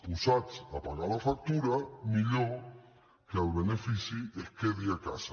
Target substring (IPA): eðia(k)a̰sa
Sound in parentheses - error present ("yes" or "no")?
no